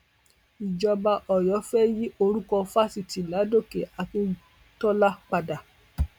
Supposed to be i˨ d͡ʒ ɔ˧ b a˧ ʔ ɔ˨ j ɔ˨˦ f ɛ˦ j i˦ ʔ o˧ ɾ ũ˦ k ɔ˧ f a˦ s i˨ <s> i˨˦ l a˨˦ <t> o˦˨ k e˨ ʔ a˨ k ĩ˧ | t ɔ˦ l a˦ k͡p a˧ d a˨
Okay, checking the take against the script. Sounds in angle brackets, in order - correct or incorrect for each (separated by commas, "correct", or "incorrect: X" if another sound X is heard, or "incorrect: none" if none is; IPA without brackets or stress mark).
incorrect: t, incorrect: d